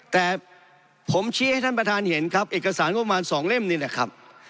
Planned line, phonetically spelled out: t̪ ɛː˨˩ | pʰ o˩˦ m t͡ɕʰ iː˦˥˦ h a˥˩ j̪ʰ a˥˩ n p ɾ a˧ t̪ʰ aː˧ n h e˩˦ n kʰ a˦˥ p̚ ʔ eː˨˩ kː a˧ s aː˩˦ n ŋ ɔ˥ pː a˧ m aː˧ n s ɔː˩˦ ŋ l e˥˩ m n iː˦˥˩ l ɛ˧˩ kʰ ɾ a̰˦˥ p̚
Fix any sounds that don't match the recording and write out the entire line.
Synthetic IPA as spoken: t̪ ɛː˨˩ | pʰ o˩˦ m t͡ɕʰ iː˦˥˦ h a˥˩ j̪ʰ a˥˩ n p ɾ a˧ t̪ʰ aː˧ n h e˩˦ n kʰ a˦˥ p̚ ʔ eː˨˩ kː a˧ s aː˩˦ n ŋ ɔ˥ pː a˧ m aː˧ n s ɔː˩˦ ŋ l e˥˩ m n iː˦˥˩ l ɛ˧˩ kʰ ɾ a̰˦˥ p̚